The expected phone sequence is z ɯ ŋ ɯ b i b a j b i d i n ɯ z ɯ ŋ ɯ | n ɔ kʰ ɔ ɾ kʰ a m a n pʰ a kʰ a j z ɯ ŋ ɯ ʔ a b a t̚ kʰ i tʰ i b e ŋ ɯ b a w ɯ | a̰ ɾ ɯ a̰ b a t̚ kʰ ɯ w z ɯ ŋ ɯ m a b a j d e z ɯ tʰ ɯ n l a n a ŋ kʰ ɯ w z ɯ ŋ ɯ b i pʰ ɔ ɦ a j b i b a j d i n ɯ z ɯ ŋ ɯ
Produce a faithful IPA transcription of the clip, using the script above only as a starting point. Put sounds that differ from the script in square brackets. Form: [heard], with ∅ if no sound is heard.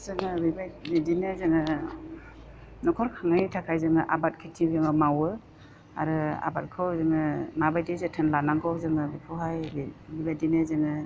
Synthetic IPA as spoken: z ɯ ŋ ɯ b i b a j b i d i n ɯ z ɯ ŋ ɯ | n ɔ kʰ ɔ ɾ kʰ a [ŋ] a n [tʰ] a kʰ a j z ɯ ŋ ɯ ʔ a b a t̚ kʰ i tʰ i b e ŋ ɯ [m] a w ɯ | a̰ ɾ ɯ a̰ b a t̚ kʰ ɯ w z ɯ ŋ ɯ m a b a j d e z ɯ tʰ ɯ n l a n a ŋ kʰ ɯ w z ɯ ŋ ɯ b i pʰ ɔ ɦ a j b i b a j d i n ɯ z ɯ ŋ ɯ

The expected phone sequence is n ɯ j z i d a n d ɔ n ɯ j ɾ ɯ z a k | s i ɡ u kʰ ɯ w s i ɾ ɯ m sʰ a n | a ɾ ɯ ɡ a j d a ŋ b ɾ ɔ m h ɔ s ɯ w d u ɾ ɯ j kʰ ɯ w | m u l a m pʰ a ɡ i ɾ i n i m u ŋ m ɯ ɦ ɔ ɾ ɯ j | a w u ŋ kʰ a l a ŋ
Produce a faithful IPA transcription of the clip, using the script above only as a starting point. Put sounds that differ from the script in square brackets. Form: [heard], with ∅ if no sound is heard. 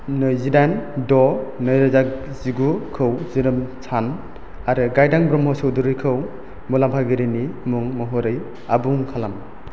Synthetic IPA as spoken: n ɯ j z i d a n d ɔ n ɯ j ɾ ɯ z a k | [z] i ɡ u kʰ ɯ w [z] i ɾ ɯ m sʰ a n | a ɾ ɯ ɡ a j d a ŋ b ɾ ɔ m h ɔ s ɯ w d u ɾ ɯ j kʰ ɯ w | m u l a m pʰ a ɡ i ɾ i n i m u ŋ m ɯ ɦ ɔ ɾ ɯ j | a [b] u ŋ kʰ a l a [m]

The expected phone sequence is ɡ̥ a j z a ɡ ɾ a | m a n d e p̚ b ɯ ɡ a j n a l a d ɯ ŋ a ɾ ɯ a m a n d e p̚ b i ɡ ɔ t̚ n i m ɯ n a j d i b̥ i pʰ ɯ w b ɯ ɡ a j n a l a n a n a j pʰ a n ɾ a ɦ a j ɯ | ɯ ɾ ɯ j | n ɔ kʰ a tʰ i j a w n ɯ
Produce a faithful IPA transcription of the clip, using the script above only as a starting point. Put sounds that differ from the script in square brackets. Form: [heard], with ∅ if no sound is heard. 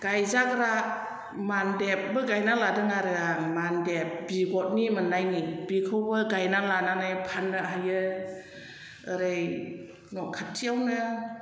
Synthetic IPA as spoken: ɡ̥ a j z a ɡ ɾ a | m a n d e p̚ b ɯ ɡ a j n a l a d ɯ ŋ a ɾ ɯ a m a n d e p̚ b i ɡ ɔ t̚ n i m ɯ n a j [n] i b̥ i [kʰ] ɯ w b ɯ ɡ a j n a l a n a n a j pʰ a n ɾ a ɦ a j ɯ | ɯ ɾ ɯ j | n ɔ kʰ a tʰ i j a w n ɯ

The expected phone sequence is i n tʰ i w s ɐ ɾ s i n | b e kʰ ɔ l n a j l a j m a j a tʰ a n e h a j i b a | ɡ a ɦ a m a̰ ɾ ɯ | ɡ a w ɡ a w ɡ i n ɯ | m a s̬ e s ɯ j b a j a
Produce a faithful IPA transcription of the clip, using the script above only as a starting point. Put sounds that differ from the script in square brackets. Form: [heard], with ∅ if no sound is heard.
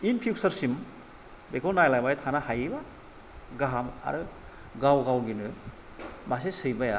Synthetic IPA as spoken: i n [pʰ] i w s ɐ ɾ s i [m] | b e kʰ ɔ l n a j l a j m a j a tʰ a n [a] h a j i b a | ɡ a ɦ a m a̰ ɾ ɯ | ɡ a w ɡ a w ɡ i n ɯ | m a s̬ e s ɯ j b a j a

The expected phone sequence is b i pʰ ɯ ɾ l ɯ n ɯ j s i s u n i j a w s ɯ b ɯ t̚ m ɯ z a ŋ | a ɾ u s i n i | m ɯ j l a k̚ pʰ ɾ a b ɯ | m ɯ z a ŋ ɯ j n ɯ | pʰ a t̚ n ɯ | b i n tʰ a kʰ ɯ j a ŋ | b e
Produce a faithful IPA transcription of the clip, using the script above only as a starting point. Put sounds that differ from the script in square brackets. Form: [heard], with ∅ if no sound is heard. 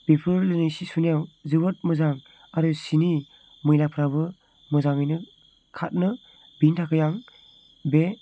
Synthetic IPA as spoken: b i pʰ ɯ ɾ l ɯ n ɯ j s i s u n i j a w [z] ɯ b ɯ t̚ m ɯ z a ŋ | a ɾ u s i n i | m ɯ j l a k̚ pʰ ɾ a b ɯ | m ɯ z a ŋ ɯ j n ɯ | [kʰ] a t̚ n ɯ | b i n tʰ a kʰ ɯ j a ŋ | b e

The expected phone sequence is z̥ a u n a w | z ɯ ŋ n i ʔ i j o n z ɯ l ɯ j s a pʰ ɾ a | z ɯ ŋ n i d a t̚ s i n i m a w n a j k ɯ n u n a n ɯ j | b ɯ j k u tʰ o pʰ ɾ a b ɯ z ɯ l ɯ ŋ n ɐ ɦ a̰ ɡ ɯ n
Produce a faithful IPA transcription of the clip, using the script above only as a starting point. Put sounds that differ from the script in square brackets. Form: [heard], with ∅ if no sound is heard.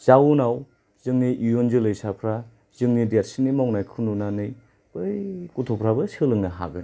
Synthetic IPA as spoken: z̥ a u n a w | z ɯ ŋ n i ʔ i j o n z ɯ l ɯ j s a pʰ ɾ a | z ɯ ŋ n i d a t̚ s i n i m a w n a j [kʰ] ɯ n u n a n ɯ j | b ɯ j k u tʰ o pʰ ɾ a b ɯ [s] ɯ l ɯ ŋ n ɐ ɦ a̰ ɡ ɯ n

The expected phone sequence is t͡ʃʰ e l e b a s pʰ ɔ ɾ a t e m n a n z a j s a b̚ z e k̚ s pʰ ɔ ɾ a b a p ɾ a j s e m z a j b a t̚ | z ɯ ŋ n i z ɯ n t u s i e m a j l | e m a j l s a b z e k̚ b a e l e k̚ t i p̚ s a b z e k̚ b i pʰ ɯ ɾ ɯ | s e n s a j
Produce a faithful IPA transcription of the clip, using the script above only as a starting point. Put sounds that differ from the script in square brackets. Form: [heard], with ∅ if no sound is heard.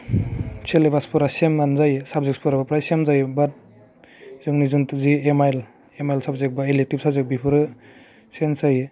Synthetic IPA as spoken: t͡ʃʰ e l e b a s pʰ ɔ ɾ a [s] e m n a n z a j s a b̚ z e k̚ s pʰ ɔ ɾ a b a p ɾ a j s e m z a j b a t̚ | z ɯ ŋ n i z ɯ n t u [z] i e m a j l | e m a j l s a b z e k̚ b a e l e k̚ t i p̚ s a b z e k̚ b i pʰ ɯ ɾ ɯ | s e n s a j

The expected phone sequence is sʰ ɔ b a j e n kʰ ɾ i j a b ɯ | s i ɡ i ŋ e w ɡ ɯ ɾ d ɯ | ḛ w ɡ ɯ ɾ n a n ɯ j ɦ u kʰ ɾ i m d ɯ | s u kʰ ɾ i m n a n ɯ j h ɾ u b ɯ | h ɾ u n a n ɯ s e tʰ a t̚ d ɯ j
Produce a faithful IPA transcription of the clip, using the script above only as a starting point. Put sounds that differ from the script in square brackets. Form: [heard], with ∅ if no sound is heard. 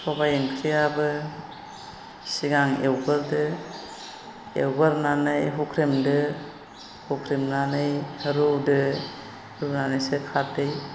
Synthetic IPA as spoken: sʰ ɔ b a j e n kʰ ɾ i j a b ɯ | s i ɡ [a] ŋ e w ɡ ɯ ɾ d ɯ | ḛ w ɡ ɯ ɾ n a n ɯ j ɦ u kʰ ɾ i m d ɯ | [h] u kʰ ɾ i m n a n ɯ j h ɾ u [d] ɯ | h ɾ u n a n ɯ s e [kʰ] a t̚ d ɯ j

